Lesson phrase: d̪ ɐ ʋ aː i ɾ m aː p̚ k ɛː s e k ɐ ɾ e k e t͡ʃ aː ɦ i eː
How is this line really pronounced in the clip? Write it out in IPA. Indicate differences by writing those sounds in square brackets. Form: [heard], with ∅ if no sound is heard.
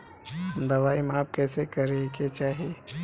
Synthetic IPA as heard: d̪ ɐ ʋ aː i [∅] m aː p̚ k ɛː s e k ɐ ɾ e k e t͡ʃ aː ɦ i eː